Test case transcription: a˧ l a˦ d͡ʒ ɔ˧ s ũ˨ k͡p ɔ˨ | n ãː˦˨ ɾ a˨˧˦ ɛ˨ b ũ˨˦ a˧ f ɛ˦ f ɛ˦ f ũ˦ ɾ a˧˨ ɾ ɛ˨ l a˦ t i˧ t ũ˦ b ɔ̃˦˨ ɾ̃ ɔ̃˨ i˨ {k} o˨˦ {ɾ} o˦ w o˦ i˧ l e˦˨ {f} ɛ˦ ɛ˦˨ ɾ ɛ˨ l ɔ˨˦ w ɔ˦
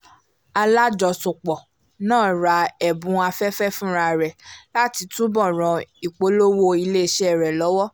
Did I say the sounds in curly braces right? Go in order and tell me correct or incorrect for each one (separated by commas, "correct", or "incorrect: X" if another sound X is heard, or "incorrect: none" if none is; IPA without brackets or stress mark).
incorrect: k͡p, incorrect: l, incorrect: ʃ